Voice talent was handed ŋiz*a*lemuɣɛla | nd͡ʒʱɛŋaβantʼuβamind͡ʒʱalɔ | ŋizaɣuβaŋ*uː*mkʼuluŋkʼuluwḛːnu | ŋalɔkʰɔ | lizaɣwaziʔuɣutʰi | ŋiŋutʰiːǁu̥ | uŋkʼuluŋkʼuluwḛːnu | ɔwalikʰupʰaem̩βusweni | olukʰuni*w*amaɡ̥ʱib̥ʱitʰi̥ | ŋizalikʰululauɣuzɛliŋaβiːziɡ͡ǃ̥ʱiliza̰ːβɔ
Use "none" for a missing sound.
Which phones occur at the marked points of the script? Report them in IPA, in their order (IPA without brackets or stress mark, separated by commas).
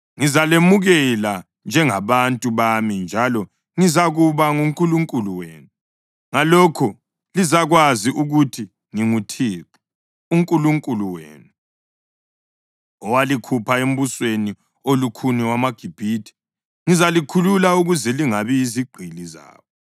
a, u, w